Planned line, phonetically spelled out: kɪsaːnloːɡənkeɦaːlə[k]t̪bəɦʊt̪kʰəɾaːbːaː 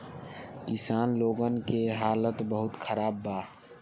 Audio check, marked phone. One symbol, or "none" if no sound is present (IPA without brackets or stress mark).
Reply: none